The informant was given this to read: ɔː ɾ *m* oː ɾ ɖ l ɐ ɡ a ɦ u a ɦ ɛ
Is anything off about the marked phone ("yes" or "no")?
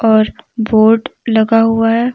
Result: yes